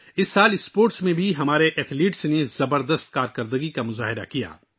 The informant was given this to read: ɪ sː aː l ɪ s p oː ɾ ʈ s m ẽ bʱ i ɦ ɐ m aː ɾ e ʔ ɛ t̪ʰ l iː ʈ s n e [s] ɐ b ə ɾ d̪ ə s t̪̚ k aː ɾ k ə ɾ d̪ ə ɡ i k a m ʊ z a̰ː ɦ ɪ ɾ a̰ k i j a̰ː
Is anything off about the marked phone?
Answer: yes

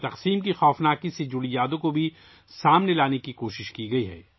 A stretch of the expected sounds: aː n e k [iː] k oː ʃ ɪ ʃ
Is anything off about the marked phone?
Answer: yes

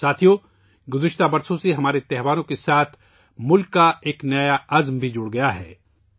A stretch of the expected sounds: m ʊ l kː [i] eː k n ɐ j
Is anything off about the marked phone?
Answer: yes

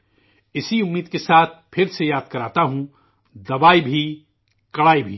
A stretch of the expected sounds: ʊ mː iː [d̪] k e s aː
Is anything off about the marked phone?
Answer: no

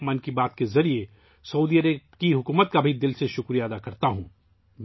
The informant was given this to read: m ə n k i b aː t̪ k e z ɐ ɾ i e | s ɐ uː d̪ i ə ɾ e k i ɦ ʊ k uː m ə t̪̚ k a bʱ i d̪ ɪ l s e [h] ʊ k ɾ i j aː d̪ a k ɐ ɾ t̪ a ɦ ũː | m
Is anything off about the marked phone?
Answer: yes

